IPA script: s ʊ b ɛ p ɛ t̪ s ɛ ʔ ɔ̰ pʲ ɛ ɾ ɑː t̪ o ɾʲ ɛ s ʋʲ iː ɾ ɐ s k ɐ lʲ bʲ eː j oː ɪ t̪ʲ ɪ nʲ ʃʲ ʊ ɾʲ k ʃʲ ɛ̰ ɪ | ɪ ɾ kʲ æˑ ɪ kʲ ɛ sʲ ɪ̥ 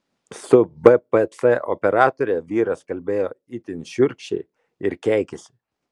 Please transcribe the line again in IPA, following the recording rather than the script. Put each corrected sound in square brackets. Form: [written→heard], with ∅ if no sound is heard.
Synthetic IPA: s ʊ b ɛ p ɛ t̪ s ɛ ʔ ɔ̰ pʲ ɛ ɾ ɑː t̪ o ɾʲ ɛ [s→∅] ʋʲ iː ɾ ɐ s k ɐ lʲ bʲ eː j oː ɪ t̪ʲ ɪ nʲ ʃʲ ʊ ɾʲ k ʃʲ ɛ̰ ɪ | ɪ ɾ kʲ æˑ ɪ kʲ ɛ sʲ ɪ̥

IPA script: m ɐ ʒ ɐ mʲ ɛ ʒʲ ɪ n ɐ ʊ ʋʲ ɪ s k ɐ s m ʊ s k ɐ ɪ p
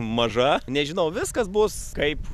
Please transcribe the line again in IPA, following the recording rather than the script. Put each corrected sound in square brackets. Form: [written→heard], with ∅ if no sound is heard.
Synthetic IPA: m ɐ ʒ ɐ [mʲ→nʲ] ɛ ʒʲ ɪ n ɐ ʊ ʋʲ ɪ s k ɐ s [m→b] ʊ s k ɐ ɪ p

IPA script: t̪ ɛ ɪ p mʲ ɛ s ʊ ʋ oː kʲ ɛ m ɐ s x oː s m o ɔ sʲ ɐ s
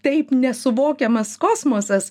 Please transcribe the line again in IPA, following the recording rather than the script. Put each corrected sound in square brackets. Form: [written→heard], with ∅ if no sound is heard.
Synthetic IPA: t̪ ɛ ɪ p [mʲ→nʲ] ɛ s ʊ ʋ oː kʲ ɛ m ɐ s [x→k] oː s m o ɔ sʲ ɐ s

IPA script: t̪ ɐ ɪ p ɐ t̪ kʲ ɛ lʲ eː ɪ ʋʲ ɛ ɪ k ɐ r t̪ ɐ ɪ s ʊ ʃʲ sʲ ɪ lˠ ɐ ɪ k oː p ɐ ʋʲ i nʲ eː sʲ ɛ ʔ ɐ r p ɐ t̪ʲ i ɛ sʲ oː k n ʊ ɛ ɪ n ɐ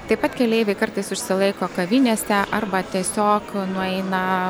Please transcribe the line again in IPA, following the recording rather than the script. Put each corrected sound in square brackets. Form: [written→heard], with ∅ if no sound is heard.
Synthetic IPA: t̪ ɐ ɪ p ɐ t̪ kʲ ɛ lʲ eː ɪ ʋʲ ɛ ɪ k ɐ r t̪ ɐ ɪ s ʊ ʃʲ sʲ ɪ lˠ ɐ ɪ k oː [p→k] ɐ ʋʲ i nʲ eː sʲ ɛ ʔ ɐ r [p→b] ɐ t̪ʲ i ɛ sʲ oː k n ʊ ɛ ɪ n ɐ

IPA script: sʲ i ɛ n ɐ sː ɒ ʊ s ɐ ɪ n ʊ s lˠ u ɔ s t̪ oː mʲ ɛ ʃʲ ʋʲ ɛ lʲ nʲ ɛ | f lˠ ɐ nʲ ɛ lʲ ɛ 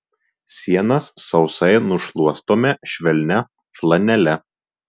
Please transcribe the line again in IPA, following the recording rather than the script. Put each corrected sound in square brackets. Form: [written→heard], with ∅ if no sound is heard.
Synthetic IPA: sʲ i ɛ n ɐ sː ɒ ʊ s ɐ ɪ n ʊ [s→ʃ] lˠ u ɔ s t̪ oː mʲ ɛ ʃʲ ʋʲ ɛ lʲ nʲ ɛ | f lˠ ɐ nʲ ɛ lʲ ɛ

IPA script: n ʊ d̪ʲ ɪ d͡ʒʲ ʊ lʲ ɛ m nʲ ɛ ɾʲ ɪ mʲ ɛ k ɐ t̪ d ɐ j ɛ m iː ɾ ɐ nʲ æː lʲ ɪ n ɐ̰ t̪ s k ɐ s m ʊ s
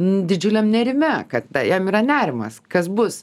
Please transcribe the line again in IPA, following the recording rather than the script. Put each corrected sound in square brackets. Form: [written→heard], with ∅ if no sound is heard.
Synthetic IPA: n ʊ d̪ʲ ɪ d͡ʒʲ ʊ lʲ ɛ m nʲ ɛ ɾʲ ɪ mʲ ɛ k ɐ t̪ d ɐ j ɛ m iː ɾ ɐ nʲ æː [lʲ→ɾʲ] ɪ [n→m] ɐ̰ [t̪→∅] s k ɐ s [m→b] ʊ s

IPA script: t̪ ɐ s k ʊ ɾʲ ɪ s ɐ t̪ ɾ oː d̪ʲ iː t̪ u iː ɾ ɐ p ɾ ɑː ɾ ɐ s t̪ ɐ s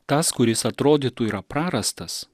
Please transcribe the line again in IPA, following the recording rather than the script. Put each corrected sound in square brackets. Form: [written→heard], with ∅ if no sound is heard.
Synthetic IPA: t̪ ɐ s k ʊ ɾʲ ɪ s ɐ t̪ ɾ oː d̪ʲ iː t̪ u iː ɾ ɐ p ɾ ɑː ɾ ɐ s t̪ ɐ s

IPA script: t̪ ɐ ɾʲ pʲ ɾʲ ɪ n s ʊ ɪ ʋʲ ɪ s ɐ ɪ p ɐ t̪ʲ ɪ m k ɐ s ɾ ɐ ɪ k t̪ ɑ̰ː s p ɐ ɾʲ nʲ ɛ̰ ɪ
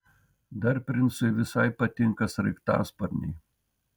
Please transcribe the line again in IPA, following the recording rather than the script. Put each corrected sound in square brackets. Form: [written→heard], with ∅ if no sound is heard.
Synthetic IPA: [t̪→d̪] ɐ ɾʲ pʲ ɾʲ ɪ n s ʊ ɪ ʋʲ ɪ s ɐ ɪ p ɐ t̪ʲ ɪ [m→ŋ] k ɐ s ɾ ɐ ɪ k t̪ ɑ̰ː s p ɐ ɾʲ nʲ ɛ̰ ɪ

